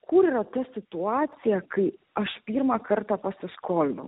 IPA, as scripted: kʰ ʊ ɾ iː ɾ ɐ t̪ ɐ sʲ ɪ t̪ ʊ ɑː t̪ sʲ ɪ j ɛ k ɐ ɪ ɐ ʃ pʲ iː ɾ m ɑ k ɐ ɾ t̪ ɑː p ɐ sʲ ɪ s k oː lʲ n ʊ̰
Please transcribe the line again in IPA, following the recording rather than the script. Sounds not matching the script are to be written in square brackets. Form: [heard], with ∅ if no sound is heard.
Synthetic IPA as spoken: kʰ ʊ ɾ iː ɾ ɐ t̪ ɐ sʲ ɪ t̪ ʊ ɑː t̪ sʲ ɪ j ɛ k ɐ ɪ ɐ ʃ pʲ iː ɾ m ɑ k ɐ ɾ t̪ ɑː p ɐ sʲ ɪ s k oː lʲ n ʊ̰

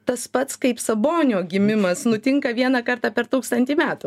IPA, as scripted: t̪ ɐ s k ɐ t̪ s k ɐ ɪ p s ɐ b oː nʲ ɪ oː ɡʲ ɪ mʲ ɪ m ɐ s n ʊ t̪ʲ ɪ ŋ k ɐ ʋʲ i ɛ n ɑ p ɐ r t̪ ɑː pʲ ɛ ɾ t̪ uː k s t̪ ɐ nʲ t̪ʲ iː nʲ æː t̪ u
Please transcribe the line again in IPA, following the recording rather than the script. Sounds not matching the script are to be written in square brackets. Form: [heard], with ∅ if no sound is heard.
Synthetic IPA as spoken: t̪ ɐ s [p] ɐ t̪ s k ɐ ɪ p s ɐ b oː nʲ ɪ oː ɡʲ ɪ mʲ ɪ m ɐ s n ʊ t̪ʲ ɪ ŋ k ɐ ʋʲ i ɛ n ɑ [k] ɐ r t̪ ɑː pʲ ɛ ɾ t̪ uː k s t̪ ɐ nʲ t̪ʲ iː [mʲ] æː t̪ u

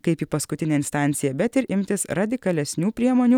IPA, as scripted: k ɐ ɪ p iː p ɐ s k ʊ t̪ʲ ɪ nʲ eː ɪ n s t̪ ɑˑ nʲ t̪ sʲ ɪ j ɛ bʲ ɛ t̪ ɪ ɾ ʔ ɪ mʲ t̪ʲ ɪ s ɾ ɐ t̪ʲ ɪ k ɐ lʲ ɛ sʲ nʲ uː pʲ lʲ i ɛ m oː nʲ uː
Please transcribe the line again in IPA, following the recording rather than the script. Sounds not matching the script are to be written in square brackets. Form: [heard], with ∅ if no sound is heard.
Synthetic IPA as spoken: k ɐ ɪ p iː p ɐ s k ʊ t̪ʲ ɪ nʲ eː ɪ n s t̪ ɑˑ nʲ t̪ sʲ ɪ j ɛ bʲ ɛ t̪ ɪ ɾ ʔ ɪ mʲ t̪ʲ ɪ s ɾ ɐ [d̪ʲ] ɪ k ɐ lʲ ɛ sʲ nʲ uː pʲ [ɾʲ] i ɛ m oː nʲ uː

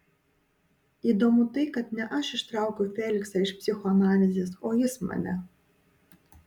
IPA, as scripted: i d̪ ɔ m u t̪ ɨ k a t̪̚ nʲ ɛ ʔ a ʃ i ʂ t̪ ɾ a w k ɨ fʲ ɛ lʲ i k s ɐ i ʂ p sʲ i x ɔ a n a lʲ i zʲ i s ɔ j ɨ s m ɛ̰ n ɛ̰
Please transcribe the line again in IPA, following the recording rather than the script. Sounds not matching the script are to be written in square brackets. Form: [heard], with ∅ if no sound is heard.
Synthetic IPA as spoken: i d̪ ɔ m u t̪ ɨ k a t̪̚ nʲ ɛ ʔ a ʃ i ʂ t̪ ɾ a w k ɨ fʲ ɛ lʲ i k s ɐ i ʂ p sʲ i x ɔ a n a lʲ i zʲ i s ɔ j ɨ s m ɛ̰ n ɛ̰

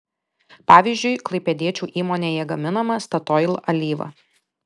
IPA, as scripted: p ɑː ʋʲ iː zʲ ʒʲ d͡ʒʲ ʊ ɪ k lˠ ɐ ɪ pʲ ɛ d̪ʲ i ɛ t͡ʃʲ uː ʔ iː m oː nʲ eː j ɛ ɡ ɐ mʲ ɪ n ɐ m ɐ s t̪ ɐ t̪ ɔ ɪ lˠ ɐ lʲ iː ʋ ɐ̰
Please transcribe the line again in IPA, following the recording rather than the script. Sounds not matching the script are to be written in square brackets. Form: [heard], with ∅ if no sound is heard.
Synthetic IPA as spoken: p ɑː ʋʲ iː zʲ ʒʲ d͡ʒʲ ʊ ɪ k lˠ ɐ ɪ pʲ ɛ d̪ʲ i ɛ t͡ʃʲ uː ʔ iː m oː nʲ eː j ɛ ɡ ɐ mʲ ɪ n ɐ m ɐ s t̪ ɐ t̪ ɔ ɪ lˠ ɐ lʲ iː ʋ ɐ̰

